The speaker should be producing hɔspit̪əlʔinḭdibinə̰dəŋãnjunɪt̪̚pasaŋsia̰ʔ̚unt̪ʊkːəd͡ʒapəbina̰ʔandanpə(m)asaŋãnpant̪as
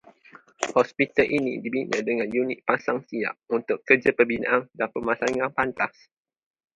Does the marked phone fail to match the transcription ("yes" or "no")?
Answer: no